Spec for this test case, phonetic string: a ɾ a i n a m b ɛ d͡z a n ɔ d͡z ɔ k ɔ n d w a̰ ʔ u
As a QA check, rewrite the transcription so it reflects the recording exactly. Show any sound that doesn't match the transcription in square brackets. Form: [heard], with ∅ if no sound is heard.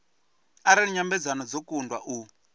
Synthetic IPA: a ɾ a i [ɲ] a m b ɛ d͡z a n ɔ d͡z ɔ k [u] n d w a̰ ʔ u